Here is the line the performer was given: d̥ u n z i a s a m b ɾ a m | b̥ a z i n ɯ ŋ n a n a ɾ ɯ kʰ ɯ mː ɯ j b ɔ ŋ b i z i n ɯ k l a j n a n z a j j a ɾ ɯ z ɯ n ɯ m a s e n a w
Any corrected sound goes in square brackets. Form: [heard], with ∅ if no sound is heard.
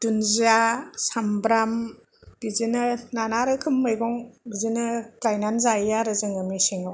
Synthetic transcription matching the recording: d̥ u n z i a s a m b ɾ a m | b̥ [i] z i n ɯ [∅] n a n a ɾ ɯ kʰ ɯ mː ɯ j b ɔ ŋ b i z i n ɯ k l a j n a n z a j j a ɾ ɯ z ɯ [ŋ] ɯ m [i] s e [ŋ] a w

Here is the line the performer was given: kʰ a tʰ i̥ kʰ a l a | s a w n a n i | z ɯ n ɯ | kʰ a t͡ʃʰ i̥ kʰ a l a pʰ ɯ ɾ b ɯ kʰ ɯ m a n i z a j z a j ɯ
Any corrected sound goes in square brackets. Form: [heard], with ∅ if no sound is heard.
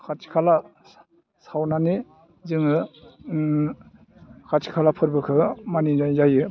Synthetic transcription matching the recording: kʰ a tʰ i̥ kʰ a l a | s a w n a n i | z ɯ [ŋ] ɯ | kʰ a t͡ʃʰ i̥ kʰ a l a pʰ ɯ ɾ b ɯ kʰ ɯ m a n i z a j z a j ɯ

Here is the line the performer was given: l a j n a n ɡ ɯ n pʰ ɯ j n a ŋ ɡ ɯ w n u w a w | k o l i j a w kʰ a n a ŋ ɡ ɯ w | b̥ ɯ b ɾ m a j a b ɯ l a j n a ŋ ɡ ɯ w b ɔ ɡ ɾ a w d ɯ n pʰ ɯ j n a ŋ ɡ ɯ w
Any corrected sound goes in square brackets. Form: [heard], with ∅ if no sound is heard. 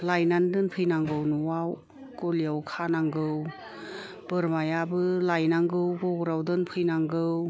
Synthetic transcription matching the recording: l a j n a n [d] ɯ n pʰ ɯ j n a ŋ ɡ ɯ w n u w a w | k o l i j a w kʰ a n a ŋ ɡ ɯ w | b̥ ɯ [∅] ɾ m a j a b ɯ l a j n a ŋ ɡ ɯ w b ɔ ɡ ɾ a w d ɯ n pʰ ɯ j n a ŋ ɡ ɯ w

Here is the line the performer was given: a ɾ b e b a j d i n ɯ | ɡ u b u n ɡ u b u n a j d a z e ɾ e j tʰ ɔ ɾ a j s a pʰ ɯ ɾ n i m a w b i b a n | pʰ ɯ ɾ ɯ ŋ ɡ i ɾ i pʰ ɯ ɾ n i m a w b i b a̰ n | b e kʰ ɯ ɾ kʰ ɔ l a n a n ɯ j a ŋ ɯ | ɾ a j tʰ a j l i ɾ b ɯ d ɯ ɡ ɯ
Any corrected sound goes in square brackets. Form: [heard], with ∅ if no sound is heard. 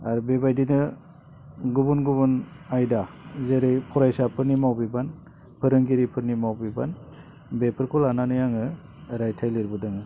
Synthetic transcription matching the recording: a ɾ b e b a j d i n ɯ | ɡ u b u n ɡ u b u n a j d a z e ɾ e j [pʰ] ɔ ɾ a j s a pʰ ɯ ɾ n i m a w b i b a n | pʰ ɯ ɾ ɯ ŋ ɡ i ɾ i pʰ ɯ ɾ n i m a w b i b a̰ n | b e [pʰ] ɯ ɾ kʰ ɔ l a n a n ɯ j a ŋ ɯ | ɾ a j tʰ a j l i ɾ b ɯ d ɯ [ŋ] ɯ

